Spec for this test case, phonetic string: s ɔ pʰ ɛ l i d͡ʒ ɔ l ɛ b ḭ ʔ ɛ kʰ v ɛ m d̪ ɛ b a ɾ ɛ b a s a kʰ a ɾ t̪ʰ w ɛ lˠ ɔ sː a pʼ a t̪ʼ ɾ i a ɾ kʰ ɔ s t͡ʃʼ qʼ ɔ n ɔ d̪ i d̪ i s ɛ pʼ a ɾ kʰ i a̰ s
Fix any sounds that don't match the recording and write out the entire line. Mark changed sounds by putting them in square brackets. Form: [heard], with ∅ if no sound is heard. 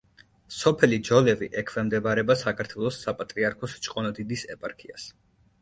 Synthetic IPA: s ɔ pʰ ɛ l i d͡ʒ ɔ l ɛ [v] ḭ ʔ ɛ kʰ v ɛ m d̪ ɛ b a ɾ ɛ b a s a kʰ a ɾ t̪ʰ w ɛ lˠ ɔ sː a pʼ a t̪ʼ ɾ i a ɾ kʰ ɔ s t͡ʃʼ qʼ ɔ n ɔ d̪ i d̪ i s ɛ pʼ a ɾ kʰ i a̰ s